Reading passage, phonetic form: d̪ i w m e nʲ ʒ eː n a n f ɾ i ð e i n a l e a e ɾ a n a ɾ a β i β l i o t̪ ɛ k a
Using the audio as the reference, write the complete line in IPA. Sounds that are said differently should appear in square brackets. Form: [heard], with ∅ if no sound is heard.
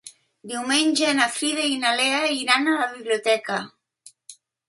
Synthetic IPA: d̪ i w m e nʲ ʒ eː n a [∅] f ɾ i ð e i n a l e a [i] ɾ a n a [l] a β i β l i o t̪ ɛ k a

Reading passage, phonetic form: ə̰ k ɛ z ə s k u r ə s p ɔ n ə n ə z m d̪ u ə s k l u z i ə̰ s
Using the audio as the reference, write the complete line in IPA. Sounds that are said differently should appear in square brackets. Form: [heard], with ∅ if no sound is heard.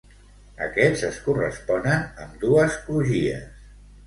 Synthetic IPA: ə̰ k ɛ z ə s k u r ə s p ɔ n ə n ə [∅] m d̪ u ə s k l u [ʒ] i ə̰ s

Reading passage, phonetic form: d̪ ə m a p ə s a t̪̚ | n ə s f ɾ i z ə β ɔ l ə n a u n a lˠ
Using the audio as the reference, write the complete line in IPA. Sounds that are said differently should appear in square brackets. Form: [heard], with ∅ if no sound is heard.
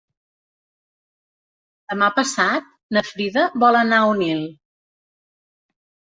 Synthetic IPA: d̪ ə m a p ə s a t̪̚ | n ə [∅] f ɾ i [ð] ə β ɔ l ə n a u n [i] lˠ

